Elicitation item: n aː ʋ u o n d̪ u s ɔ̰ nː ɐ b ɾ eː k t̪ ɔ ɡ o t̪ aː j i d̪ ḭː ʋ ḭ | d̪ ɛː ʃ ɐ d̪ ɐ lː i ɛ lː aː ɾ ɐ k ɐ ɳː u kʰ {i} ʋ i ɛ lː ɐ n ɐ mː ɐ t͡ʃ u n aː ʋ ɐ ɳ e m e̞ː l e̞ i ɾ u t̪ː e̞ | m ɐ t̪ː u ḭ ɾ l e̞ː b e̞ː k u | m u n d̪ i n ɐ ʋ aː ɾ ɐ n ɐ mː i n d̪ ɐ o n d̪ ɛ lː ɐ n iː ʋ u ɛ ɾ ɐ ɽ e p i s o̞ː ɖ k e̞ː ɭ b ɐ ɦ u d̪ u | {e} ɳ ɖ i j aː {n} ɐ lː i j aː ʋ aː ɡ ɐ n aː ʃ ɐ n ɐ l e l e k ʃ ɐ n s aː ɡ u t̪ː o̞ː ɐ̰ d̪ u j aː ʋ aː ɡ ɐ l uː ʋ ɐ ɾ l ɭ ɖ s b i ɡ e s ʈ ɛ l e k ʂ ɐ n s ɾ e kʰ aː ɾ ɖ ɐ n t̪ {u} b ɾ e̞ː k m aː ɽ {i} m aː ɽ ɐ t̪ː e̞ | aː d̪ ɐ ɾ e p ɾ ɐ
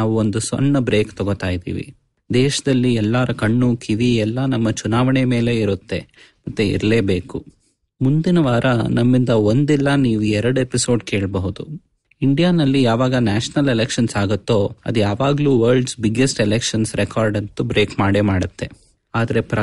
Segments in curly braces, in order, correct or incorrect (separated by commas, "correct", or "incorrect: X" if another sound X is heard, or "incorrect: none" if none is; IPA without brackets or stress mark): correct, incorrect: i, correct, correct, incorrect: e